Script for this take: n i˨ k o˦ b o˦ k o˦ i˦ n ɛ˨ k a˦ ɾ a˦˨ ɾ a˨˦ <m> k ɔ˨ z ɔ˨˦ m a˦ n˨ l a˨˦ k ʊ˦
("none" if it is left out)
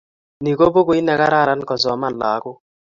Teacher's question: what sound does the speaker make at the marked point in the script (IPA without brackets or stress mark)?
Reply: n